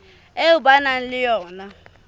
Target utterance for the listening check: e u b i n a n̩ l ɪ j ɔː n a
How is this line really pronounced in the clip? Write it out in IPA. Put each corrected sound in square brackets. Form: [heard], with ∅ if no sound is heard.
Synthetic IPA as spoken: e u b [a] n a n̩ l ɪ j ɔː n a